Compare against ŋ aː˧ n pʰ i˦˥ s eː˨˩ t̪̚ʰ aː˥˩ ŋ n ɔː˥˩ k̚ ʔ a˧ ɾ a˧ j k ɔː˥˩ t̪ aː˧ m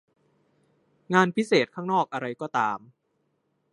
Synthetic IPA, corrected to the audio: ŋ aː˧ n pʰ i˦˥ s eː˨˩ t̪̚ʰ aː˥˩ ŋ n ɔː˥˩ k̚ ʔ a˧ ɾ a˧ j k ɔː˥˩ t̪ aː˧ m